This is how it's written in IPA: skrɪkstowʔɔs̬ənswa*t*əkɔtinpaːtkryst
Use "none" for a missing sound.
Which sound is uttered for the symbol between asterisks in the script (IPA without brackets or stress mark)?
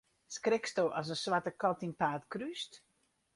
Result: t